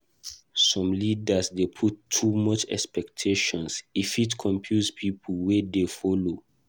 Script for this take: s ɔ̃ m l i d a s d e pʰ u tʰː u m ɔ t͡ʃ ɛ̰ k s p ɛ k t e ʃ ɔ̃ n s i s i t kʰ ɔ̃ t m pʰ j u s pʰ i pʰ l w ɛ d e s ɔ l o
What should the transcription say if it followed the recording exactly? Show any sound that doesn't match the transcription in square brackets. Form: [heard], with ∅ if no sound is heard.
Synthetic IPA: s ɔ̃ m l i d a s d e pʰ u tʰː u m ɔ t͡ʃ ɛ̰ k s p ɛ k [tʰ] e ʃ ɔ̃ n s i [f] i t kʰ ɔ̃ [∅] m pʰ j u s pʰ i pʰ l w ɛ d e [f] ɔ l o